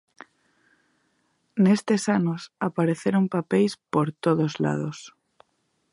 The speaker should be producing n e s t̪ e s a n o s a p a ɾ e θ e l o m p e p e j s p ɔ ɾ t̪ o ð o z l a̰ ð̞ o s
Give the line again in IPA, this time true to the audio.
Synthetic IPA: n e s t̪ e s a n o s a p a ɾ e θ e ɾ o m p a p e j s p o ɾ t̪ o ð o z l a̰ ð̞ o s